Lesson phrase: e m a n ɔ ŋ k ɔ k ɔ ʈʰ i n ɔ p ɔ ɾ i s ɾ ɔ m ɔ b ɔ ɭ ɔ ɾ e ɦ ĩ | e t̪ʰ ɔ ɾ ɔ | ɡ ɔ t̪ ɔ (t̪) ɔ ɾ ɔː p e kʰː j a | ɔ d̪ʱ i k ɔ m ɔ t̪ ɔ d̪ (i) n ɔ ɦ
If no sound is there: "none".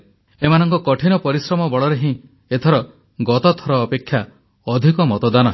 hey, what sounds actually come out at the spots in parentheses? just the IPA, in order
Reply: t̪ʰ, a

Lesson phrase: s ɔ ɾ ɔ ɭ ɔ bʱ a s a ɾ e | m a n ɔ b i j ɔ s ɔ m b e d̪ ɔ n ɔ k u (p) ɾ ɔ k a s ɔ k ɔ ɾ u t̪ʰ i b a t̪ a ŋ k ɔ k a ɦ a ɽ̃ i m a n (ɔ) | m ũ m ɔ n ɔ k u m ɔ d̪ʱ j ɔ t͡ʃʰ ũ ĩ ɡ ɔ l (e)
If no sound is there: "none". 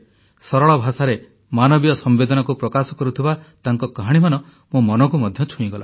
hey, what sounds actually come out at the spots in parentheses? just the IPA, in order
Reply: p, ɔ, a

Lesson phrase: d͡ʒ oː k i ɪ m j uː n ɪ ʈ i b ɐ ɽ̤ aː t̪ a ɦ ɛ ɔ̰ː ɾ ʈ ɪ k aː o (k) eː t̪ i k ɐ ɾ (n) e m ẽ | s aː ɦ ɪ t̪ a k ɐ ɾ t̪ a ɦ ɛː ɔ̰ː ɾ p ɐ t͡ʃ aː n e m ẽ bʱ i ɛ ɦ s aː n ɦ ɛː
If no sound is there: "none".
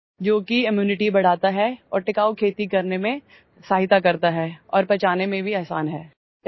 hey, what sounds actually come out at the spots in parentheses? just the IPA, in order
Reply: kʰ, n

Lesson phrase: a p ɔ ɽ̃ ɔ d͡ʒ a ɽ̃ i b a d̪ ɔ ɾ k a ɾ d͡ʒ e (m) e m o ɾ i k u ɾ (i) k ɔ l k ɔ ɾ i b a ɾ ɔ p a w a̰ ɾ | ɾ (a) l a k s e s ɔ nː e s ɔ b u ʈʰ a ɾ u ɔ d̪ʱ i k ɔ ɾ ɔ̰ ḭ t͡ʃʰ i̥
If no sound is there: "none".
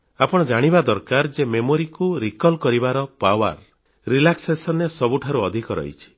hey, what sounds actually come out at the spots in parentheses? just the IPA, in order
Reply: m, i, i

